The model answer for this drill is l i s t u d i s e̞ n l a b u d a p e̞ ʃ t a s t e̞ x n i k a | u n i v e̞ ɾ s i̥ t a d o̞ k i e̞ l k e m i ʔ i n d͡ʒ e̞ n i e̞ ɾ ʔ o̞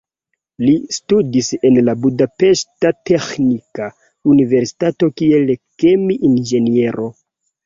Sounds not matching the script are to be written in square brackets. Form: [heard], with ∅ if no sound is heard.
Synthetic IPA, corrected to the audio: l i s t u d i s e̞ n l a b u d a p e̞ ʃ t a [∅] t e̞ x n i k a | u n i v e̞ ɾ s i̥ t a [t] o̞ k i e̞ l k e m i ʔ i n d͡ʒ e̞ n i e̞ ɾ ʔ o̞